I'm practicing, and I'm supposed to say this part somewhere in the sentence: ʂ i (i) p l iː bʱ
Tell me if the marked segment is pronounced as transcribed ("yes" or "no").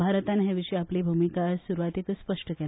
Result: no